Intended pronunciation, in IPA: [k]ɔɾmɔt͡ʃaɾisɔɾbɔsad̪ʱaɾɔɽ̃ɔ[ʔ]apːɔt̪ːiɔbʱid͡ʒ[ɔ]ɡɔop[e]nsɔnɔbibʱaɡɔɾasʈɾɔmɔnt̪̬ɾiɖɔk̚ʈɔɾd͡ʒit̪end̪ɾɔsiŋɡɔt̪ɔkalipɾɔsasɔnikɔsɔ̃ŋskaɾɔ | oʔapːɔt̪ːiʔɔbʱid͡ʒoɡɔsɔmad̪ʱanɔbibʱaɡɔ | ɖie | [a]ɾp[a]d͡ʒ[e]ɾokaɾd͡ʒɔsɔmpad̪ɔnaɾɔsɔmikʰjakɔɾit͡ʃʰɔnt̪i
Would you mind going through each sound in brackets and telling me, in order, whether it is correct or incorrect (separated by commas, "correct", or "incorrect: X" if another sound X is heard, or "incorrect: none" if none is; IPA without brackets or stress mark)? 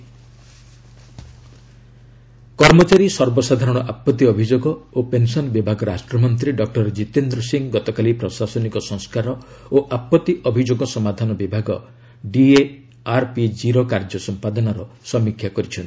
correct, correct, incorrect: o, correct, correct, incorrect: i, incorrect: i